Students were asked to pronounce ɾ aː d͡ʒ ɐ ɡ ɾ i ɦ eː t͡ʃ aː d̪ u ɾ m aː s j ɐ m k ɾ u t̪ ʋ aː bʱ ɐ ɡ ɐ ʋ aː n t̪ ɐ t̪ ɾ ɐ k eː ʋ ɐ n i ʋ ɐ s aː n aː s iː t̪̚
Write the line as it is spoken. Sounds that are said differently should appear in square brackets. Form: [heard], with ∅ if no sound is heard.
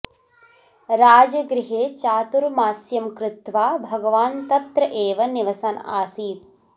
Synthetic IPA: ɾ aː d͡ʒ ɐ ɡ ɾ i ɦ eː t͡ʃ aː [t̪] u ɾ m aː s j ɐ m k ɾ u t̪ ʋ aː bʱ ɐ ɡ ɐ ʋ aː n t̪ ɐ t̪ ɾ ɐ [ʔ] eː ʋ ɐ n i ʋ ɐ s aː n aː s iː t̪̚